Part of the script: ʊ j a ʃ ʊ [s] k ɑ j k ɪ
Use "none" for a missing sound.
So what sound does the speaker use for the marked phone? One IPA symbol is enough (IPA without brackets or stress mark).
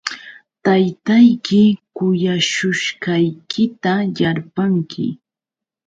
ʃ